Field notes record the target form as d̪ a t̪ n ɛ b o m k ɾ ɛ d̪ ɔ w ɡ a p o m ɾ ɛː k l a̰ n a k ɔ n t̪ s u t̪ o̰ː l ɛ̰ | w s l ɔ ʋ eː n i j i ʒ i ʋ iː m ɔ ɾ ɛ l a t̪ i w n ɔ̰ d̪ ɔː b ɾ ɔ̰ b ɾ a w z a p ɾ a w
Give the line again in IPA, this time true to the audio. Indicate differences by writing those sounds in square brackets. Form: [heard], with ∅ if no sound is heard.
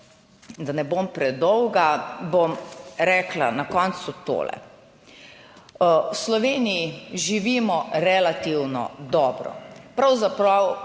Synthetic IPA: d̪ a [∅] n ɛ b o m [p] ɾ ɛ d̪ ɔ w ɡ a [b] o m ɾ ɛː k l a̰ n a k ɔ n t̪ s u t̪ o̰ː l ɛ̰ | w s l ɔ ʋ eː n i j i ʒ i ʋ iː m ɔ ɾ ɛ l a t̪ i w n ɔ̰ d̪ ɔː b ɾ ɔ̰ [p] ɾ a w z a p ɾ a w